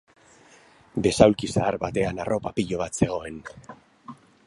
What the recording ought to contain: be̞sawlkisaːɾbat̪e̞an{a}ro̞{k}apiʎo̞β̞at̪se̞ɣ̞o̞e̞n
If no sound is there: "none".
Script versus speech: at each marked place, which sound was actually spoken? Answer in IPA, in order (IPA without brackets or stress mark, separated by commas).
a, p